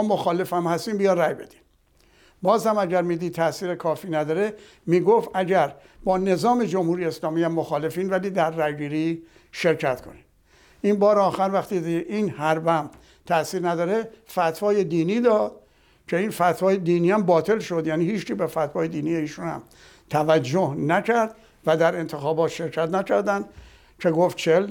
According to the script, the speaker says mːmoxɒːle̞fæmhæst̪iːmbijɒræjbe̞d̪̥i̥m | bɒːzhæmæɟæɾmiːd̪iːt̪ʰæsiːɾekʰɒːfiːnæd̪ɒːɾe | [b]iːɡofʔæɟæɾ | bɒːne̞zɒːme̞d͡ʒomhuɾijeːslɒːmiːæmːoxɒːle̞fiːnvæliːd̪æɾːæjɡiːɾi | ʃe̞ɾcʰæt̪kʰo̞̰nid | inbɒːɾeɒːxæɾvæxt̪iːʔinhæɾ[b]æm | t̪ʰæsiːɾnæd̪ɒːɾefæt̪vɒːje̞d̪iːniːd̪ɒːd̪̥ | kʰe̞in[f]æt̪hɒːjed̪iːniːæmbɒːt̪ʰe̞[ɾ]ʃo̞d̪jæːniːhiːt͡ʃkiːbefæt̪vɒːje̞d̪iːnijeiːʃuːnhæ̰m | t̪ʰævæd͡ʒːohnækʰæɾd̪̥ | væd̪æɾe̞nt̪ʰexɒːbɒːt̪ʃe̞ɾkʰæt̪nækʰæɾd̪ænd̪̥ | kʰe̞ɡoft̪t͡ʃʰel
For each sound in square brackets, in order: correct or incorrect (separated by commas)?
incorrect, correct, correct, incorrect